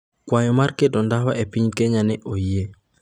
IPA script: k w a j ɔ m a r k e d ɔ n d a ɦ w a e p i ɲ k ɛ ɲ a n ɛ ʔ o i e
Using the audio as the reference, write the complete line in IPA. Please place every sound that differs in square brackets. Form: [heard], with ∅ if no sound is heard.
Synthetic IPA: k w a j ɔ m a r k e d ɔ n d a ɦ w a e p i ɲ k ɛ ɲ a n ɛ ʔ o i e